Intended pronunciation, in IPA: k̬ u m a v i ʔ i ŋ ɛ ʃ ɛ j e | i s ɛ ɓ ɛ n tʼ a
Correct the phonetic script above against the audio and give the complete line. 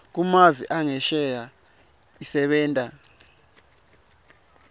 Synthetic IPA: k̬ u m a v i ʔ a ŋ ɛ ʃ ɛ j a | i s ɛ ɓ ɛː n tʼ a